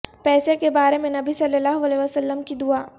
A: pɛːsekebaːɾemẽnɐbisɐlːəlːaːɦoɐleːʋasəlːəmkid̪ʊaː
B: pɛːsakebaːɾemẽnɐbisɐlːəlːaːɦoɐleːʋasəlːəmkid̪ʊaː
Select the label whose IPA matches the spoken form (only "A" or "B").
A